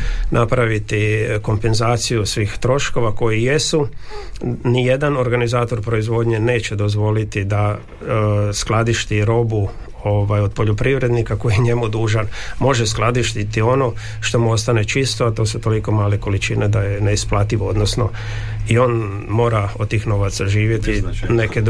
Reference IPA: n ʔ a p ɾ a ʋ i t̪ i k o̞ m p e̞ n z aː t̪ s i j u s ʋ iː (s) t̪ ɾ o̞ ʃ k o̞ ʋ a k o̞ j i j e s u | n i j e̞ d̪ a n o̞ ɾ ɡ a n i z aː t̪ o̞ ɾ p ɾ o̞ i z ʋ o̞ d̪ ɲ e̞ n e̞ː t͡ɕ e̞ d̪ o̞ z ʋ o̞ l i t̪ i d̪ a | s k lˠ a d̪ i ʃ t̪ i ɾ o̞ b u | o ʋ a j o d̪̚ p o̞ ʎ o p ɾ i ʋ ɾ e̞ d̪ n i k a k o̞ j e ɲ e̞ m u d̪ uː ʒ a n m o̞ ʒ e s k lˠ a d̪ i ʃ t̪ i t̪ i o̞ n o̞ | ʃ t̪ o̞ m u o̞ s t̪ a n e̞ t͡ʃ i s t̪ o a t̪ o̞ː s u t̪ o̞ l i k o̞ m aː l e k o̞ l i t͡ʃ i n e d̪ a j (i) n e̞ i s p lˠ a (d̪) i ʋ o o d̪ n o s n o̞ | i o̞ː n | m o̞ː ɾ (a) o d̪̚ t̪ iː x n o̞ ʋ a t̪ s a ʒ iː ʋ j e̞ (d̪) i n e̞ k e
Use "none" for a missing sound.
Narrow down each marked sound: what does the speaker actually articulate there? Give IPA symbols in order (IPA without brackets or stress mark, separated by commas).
x, e, t̪, a, t̪